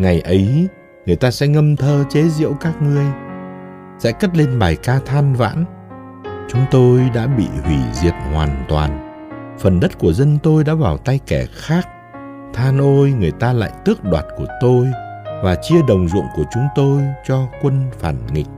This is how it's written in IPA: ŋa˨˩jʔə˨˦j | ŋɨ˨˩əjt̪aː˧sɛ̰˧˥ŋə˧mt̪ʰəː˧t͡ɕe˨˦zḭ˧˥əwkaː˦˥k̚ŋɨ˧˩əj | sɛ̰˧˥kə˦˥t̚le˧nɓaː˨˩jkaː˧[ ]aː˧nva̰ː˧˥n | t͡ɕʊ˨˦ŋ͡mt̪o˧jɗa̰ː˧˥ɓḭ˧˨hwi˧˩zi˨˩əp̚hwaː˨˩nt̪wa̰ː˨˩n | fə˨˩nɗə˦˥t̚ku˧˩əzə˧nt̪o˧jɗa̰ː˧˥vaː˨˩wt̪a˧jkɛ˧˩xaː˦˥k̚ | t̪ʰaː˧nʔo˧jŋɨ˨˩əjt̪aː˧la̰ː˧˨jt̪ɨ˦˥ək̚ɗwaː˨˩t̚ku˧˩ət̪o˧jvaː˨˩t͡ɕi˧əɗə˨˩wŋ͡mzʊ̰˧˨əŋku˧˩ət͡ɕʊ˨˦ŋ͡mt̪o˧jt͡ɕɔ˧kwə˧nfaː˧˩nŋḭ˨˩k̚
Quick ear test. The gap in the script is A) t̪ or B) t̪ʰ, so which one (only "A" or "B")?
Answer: B